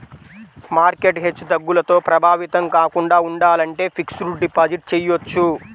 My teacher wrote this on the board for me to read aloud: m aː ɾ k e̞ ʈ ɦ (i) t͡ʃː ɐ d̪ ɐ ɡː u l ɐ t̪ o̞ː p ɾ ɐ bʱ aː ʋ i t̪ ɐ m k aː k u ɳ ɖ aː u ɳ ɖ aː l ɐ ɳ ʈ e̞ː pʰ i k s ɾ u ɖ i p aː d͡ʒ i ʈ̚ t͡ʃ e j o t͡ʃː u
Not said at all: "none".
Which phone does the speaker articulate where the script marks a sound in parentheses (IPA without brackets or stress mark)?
e